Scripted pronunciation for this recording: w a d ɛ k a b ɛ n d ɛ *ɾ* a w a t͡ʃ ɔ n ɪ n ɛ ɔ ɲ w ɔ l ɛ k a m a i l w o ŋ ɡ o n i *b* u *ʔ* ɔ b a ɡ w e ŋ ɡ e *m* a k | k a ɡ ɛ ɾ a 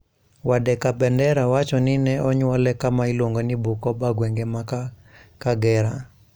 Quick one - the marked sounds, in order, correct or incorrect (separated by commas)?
correct, correct, incorrect, correct